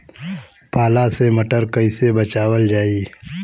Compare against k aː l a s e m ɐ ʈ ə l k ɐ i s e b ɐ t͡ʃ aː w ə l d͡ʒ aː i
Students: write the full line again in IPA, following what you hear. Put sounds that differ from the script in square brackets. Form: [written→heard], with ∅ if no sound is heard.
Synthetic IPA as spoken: [k→p] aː l a s e m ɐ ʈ ə [l→ɾ] k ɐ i s e b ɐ t͡ʃ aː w ə l d͡ʒ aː i